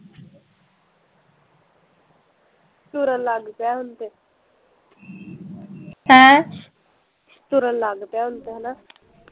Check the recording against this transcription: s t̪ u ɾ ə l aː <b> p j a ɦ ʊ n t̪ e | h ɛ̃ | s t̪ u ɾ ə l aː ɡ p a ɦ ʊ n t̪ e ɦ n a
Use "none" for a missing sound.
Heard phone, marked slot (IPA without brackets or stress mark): ɡ